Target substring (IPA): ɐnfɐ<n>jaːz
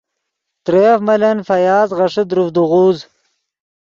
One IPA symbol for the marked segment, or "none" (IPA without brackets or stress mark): none